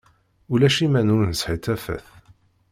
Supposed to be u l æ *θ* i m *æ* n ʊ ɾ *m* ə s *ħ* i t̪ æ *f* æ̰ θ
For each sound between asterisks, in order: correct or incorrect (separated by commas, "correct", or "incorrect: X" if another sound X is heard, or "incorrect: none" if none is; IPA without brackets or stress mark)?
incorrect: ʃ, correct, incorrect: n, correct, correct